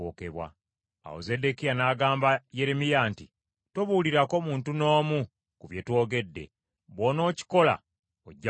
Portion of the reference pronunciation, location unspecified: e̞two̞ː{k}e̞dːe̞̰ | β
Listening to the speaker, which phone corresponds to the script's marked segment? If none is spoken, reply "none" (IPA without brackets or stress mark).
ɡ